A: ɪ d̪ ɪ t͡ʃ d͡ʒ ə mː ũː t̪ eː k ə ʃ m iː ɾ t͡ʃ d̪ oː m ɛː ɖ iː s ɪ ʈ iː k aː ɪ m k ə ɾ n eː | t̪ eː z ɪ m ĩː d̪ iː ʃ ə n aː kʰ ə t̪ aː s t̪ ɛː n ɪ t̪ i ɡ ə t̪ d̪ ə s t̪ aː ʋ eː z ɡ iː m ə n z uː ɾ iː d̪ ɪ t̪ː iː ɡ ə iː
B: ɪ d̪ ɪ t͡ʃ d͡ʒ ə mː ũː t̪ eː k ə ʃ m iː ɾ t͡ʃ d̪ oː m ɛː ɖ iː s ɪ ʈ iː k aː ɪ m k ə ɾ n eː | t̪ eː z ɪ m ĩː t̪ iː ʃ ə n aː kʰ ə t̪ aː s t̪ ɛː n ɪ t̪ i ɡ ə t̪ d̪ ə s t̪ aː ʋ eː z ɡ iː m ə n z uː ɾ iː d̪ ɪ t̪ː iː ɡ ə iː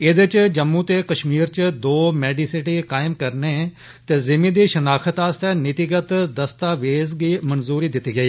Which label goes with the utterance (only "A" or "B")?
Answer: A